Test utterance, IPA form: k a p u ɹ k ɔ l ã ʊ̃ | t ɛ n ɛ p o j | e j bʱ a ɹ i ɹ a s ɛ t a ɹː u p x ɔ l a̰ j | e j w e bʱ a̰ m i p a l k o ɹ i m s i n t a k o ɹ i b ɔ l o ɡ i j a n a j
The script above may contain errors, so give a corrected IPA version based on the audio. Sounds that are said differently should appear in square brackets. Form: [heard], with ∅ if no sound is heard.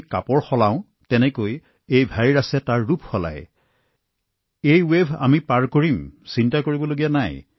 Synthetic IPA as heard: k a p [ɔ] ɹ [x] ɔ l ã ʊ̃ | t ɛ n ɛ [k] o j | e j bʱ a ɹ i ɹ a s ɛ t a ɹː u p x ɔ l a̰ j | e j w e bʱ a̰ m i p a [ɹ] k o ɹ i m s i n t a k o ɹ i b ɔ l o ɡ i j a n a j